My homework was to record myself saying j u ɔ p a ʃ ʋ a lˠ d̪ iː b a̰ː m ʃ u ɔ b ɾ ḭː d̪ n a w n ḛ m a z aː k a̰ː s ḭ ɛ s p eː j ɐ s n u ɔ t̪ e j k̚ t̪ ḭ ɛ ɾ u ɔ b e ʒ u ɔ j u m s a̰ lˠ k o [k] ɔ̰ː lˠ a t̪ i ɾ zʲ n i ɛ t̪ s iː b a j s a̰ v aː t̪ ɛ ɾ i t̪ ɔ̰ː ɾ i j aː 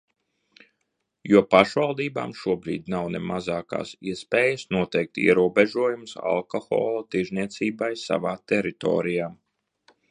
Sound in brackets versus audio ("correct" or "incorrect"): incorrect